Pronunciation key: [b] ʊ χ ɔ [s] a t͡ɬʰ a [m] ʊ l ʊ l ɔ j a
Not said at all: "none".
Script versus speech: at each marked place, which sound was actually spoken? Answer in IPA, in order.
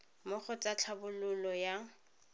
m, t͡s, b

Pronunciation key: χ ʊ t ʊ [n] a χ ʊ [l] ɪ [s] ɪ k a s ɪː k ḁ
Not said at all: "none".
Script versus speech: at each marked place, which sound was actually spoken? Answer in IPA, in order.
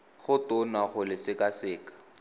n, l, s

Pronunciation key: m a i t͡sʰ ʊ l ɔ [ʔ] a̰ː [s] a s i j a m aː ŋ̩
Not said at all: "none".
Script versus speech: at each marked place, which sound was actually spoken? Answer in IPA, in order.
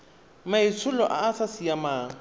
ʔ, s

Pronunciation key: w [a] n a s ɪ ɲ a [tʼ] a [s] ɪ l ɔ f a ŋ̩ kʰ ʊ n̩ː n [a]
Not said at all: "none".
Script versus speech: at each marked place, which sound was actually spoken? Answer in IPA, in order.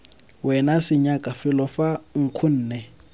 ɛ, kʼ, f, ɛ

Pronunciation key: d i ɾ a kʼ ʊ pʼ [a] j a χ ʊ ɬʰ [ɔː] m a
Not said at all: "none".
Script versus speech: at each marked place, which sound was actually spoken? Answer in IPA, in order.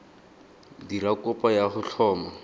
a, ɔː

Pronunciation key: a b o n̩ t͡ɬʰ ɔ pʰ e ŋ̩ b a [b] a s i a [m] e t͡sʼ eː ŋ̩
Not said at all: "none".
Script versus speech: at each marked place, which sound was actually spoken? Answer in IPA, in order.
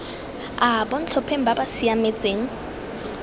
b, m

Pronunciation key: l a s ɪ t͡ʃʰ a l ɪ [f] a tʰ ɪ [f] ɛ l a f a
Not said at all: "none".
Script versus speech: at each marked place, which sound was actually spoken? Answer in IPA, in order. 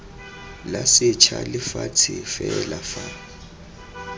f, f

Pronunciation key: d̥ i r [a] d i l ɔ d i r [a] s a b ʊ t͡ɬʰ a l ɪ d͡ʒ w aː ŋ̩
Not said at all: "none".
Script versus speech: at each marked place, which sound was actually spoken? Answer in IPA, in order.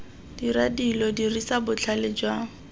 a, i

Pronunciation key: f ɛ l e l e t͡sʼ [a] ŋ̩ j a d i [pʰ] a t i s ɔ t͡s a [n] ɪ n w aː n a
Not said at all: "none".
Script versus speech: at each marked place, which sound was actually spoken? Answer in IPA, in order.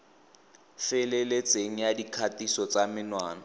e, kʰ, m

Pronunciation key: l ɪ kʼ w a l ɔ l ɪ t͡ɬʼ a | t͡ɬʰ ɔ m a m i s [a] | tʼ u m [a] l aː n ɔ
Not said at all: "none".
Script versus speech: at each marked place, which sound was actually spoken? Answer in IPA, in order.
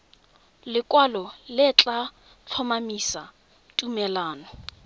a, ɛ

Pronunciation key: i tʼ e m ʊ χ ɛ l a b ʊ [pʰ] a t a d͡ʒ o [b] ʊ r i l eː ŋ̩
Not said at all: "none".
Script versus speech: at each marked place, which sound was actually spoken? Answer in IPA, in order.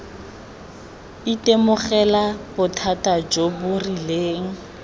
tʰ, b

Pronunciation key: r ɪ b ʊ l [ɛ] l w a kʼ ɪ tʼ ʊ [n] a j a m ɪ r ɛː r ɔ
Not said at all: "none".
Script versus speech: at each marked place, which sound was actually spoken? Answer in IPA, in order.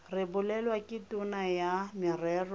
ɛ, n

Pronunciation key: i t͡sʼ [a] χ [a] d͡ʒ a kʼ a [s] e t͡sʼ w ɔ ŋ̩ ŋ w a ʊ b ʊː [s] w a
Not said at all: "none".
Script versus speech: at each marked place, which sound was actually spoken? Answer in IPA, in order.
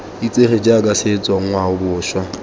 e, e, s, ʃ

